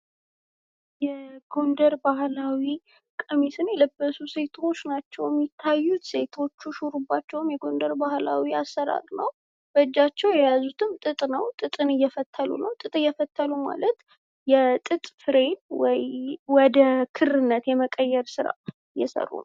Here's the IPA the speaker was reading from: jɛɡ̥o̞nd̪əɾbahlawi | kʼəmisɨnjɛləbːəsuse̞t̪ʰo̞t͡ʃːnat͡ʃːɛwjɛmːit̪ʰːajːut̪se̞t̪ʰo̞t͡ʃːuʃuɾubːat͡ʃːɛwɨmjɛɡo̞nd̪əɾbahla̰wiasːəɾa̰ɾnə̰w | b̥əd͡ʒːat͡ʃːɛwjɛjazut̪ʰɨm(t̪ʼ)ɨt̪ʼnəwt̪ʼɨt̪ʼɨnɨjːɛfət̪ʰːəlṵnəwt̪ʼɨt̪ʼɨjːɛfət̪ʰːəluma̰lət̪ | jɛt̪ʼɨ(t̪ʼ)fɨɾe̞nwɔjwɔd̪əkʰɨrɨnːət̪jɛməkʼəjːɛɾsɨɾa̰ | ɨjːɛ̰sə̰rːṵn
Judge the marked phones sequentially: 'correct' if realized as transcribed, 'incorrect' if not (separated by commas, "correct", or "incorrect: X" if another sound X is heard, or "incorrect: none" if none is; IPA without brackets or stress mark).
correct, correct